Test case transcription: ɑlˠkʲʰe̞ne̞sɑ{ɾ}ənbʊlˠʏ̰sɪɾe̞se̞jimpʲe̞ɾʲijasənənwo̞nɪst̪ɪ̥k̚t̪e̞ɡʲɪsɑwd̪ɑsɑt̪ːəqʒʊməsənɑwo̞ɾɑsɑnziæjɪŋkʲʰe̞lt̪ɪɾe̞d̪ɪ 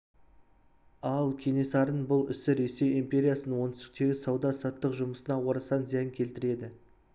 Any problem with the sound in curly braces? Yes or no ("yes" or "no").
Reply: no